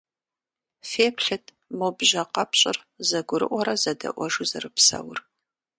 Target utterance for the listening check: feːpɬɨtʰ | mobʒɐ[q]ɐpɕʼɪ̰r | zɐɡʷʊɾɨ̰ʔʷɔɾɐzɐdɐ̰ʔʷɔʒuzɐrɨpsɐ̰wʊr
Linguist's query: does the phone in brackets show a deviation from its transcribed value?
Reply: no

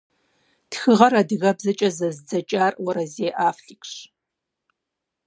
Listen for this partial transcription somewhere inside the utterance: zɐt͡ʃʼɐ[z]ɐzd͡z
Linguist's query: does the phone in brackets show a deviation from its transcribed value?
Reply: no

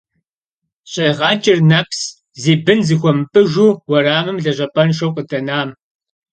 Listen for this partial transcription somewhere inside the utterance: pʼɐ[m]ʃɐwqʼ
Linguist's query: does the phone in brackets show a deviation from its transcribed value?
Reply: yes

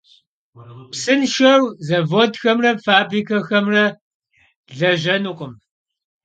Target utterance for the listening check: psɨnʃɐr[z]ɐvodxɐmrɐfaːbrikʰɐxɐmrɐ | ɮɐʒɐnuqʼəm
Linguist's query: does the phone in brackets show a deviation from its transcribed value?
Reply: no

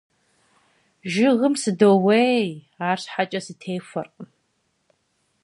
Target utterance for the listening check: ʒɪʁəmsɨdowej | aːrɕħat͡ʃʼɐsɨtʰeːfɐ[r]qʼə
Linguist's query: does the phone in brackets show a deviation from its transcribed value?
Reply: no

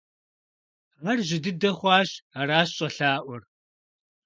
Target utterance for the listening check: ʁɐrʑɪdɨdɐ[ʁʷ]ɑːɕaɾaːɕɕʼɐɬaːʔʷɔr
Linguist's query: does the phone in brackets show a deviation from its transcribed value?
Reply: yes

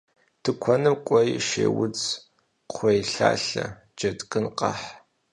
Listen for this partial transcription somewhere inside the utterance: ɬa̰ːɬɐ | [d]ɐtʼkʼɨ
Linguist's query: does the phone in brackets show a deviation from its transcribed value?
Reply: yes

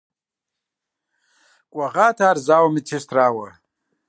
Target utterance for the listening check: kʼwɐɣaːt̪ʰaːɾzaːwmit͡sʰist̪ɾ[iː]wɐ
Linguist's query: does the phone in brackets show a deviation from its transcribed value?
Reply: yes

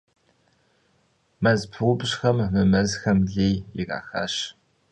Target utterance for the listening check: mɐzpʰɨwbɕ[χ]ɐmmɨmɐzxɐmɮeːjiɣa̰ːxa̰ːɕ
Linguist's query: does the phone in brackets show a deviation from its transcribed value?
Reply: yes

